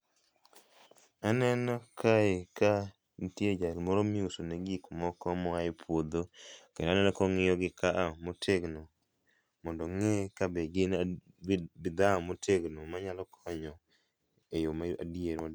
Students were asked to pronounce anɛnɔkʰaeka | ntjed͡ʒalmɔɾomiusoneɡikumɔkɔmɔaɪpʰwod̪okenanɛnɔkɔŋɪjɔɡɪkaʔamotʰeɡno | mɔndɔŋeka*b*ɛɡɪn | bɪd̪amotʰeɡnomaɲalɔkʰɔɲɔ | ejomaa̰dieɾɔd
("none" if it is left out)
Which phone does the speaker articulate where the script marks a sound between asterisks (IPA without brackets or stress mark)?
b